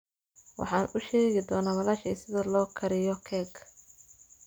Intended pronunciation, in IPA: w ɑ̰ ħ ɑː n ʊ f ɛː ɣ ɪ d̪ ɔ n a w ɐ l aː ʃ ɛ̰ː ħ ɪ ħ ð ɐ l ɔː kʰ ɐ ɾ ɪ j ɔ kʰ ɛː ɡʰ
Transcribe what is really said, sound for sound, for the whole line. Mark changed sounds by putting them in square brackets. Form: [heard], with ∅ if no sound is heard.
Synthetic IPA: w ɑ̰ ħ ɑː n ʊ [ʃ] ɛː ɣ ɪ d̪ [ɔː] n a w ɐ l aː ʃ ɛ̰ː [s] ɪ [∅] ð ɐ l ɔː kʰ ɐ ɾ ɪ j ɔ kʰ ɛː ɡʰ